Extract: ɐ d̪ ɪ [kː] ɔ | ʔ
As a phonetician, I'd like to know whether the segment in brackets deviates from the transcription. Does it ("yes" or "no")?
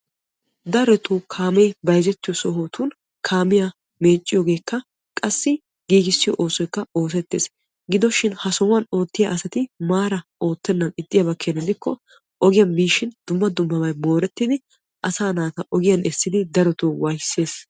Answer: no